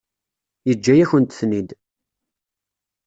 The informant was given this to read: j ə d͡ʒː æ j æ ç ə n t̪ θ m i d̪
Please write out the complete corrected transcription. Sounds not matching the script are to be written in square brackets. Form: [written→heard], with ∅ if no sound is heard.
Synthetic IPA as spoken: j ə d͡ʒː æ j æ ç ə n t̪ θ [m→n] i d̪